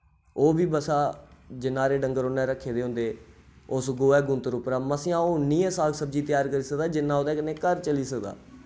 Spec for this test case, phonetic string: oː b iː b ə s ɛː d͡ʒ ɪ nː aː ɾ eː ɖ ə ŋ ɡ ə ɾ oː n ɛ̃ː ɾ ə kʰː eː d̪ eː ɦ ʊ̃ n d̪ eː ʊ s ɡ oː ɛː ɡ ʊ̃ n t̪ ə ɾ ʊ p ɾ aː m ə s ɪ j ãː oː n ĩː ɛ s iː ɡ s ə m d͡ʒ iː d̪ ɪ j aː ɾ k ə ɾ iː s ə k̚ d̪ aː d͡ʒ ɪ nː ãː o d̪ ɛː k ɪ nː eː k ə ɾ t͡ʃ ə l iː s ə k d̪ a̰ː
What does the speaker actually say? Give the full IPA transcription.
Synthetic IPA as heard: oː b iː b ə s aː d͡ʒ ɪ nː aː ɾ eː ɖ ə ŋ ɡ ə ɾ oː n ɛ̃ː ɾ ə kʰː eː d̪ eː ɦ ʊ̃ n d̪ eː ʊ s ɡ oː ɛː ɡ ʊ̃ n t̪ ə ɾ ʊ p ɾ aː m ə s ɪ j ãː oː n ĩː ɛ s aː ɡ s ə b d͡ʒ iː t̪ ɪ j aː ɾ k ə ɾ iː s ə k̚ d̪ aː d͡ʒ ɪ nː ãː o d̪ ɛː k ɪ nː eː k ə ɾ t͡ʃ ə l iː s ə k d̪ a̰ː